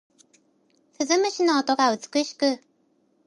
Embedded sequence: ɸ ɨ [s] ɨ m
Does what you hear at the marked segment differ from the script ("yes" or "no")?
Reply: yes